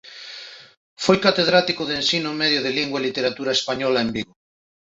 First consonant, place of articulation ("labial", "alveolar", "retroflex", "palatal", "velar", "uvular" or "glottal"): labial